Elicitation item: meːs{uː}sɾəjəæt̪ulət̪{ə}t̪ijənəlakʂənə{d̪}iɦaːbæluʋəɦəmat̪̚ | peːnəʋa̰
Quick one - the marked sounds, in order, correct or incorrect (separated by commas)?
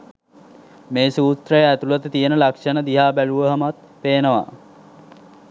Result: correct, correct, correct